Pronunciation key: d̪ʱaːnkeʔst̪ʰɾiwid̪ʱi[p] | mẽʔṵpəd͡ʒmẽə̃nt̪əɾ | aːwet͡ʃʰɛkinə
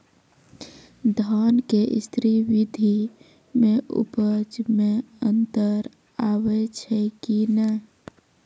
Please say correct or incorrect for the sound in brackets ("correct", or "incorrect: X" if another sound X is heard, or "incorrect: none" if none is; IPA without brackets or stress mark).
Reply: incorrect: none